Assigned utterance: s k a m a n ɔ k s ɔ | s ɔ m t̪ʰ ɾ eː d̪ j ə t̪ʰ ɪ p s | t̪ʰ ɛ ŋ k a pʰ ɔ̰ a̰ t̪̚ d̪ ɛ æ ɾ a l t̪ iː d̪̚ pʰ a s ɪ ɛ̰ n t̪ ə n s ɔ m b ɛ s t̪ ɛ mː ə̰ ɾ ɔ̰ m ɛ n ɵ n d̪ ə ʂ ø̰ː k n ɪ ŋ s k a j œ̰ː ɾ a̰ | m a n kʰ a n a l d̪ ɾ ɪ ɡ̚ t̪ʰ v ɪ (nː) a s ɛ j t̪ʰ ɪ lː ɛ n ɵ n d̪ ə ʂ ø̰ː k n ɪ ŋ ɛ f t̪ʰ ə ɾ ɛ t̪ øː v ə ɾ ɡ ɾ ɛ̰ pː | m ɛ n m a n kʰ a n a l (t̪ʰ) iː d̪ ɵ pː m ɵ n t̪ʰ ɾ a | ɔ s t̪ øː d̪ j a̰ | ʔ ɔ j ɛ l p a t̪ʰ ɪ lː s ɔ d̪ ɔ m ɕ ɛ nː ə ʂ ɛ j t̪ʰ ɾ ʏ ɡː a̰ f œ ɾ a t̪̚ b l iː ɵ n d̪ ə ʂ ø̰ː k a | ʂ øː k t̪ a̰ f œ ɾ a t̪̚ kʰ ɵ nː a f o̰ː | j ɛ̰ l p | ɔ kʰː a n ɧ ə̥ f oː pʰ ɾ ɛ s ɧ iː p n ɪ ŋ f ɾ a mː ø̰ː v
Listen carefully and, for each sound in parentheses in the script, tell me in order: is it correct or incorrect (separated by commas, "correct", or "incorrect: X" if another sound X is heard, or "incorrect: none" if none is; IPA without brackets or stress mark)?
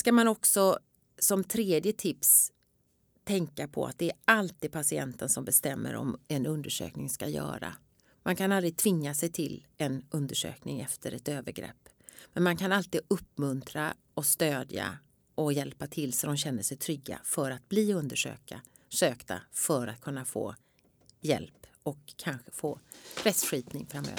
incorrect: ŋː, incorrect: t̪